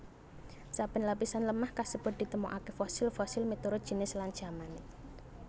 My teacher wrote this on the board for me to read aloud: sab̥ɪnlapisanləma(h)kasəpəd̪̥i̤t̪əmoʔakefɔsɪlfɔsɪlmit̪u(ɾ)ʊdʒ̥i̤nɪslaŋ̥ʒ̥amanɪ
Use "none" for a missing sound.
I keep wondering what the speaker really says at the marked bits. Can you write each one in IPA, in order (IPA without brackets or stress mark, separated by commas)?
h, ɾ